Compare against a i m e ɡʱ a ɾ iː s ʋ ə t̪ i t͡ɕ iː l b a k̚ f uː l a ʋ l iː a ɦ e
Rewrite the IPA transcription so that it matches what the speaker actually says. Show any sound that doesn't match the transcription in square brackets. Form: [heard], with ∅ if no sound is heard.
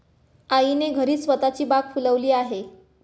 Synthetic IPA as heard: a i [n] e ɡʱ [ə] ɾ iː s ʋ ə t̪ [a] t͡ɕ iː [∅] b a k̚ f [u] l [ə] ʋ l iː a ɦ e